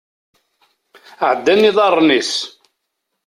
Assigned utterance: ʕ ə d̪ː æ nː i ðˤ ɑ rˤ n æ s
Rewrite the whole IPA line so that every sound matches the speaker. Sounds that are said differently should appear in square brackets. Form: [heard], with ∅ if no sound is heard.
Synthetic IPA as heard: ʕ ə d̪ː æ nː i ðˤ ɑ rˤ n [i] s